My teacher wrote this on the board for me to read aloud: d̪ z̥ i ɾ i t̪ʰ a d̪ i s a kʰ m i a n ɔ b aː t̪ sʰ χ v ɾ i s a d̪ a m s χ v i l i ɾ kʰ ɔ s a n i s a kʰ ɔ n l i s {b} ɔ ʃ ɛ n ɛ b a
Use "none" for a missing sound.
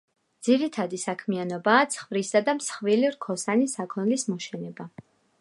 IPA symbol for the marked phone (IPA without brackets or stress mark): m